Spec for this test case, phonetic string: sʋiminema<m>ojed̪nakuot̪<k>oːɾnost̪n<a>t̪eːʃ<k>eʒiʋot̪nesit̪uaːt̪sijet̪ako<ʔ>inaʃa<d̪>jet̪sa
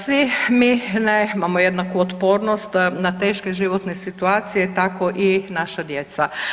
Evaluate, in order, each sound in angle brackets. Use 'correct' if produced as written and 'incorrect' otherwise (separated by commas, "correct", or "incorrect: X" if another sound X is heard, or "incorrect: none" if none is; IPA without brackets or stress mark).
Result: correct, incorrect: p, correct, correct, correct, correct